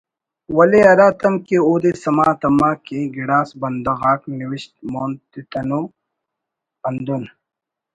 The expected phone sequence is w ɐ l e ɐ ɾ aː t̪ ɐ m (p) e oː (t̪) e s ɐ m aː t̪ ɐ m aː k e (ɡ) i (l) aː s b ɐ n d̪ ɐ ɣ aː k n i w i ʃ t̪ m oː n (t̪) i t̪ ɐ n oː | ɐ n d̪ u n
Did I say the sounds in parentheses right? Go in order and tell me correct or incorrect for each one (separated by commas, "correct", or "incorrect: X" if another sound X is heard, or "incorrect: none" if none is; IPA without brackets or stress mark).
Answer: incorrect: k, incorrect: d̪, correct, incorrect: ɽ, correct